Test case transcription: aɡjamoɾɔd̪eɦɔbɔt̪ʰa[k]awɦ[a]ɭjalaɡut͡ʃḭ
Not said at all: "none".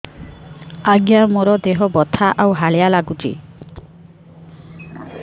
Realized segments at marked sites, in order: ʔ, a

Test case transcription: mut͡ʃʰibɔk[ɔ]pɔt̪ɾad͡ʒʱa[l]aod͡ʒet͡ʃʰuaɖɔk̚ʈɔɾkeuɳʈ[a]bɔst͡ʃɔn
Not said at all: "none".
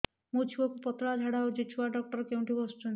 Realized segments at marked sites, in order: u, ɽ, i

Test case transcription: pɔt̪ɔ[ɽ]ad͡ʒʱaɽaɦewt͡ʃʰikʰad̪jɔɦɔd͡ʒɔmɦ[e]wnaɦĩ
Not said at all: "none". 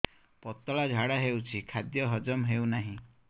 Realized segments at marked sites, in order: ɭ, e

